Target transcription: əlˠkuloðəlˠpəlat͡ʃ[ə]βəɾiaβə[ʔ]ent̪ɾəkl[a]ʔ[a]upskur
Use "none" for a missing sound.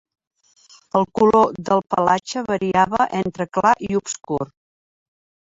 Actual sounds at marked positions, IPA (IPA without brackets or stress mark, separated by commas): ə, ʔ, a, i